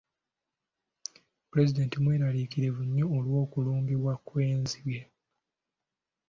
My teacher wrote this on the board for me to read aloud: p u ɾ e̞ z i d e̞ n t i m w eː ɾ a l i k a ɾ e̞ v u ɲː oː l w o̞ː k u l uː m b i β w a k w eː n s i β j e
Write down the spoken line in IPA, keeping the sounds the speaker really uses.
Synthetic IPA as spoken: p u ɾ e̞ z i d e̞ n t i m w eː ɾ a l i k i ɾ e̞ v u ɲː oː l w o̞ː k u l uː m b i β w a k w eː n z i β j e